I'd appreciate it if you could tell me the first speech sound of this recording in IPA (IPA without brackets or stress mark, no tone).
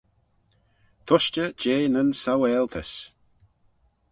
t̪ʰ